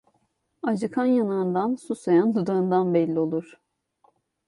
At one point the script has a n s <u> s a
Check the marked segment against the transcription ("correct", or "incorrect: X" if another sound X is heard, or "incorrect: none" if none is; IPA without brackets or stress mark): correct